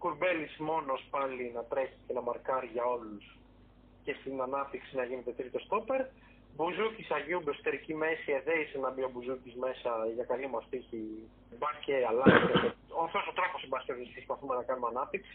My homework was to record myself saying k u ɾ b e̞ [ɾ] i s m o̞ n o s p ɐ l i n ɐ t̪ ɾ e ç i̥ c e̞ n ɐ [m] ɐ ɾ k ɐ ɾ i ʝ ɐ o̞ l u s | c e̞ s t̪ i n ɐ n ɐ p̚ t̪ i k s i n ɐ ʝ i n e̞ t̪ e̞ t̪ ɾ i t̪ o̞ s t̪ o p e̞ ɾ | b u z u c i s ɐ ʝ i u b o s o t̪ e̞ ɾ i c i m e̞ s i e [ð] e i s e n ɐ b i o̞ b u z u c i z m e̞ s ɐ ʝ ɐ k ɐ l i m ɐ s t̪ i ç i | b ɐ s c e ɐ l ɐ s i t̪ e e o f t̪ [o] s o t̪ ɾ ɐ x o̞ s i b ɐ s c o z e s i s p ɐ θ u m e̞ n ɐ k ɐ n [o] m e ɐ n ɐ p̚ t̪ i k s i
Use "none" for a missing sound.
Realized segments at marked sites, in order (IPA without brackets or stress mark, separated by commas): l, m, ð, o, u